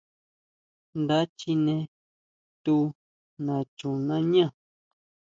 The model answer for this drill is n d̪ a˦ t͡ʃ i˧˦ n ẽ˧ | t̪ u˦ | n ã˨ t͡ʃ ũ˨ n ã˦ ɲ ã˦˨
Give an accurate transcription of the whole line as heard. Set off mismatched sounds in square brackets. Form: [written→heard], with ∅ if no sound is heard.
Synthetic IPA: n d̪ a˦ t͡ʃ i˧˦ n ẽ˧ | t̪ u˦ | n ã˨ t͡ʃ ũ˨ n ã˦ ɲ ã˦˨